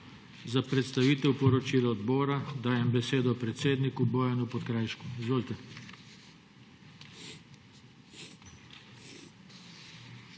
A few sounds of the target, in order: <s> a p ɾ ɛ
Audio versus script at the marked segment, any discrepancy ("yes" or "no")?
yes